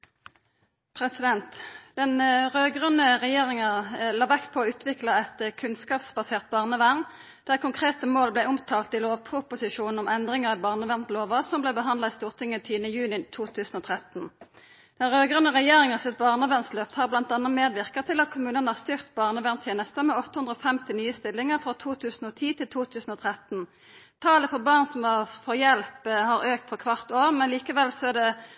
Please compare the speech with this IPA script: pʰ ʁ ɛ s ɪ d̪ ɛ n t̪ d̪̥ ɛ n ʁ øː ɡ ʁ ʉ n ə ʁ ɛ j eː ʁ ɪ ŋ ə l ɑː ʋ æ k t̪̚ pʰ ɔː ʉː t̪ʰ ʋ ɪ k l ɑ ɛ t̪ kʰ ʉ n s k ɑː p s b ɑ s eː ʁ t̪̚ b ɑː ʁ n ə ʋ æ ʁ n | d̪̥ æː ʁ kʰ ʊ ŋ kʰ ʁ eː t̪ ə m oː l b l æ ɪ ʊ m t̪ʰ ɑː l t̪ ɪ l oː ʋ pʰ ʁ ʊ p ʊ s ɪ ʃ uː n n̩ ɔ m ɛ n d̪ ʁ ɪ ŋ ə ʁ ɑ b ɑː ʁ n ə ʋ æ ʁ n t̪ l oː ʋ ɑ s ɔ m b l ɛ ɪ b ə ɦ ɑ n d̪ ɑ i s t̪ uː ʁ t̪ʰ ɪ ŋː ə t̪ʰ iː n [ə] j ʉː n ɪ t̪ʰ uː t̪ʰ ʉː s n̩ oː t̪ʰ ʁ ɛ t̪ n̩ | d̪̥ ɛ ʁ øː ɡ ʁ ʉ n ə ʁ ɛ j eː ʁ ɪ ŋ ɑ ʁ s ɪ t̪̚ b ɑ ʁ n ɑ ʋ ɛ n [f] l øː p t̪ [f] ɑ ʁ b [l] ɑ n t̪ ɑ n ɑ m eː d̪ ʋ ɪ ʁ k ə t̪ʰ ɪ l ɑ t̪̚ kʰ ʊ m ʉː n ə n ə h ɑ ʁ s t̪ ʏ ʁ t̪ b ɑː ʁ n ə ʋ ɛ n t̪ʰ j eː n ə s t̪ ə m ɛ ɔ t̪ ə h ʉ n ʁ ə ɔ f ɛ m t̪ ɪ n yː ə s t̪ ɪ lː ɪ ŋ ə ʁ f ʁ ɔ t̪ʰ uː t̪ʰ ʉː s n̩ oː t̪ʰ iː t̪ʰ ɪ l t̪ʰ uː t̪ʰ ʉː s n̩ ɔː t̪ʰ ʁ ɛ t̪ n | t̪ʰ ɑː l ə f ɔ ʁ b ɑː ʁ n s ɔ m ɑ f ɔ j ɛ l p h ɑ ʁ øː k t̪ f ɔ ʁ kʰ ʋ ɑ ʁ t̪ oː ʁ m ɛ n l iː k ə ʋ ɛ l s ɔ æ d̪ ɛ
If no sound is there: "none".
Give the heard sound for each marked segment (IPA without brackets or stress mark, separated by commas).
ə, s, h, l